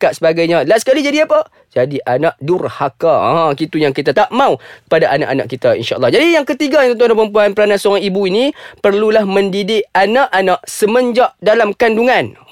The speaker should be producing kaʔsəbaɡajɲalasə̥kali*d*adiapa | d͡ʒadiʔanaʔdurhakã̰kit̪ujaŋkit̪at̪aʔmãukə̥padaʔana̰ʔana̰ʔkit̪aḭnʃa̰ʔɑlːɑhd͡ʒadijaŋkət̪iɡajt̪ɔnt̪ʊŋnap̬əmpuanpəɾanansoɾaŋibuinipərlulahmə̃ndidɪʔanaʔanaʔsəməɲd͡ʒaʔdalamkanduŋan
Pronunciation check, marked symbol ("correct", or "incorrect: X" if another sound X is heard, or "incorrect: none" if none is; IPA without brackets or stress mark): incorrect: d͡ʒ